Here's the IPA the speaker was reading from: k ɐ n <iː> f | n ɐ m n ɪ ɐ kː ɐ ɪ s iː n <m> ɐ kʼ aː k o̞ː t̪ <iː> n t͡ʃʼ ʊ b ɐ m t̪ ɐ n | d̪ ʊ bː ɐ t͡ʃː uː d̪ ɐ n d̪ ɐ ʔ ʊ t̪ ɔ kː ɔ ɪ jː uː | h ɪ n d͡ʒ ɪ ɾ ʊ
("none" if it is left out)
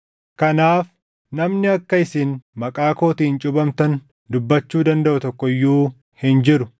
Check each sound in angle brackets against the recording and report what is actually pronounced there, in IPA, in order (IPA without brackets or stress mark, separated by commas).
aː, m, iː